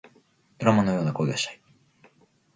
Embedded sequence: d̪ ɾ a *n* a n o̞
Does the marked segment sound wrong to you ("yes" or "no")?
yes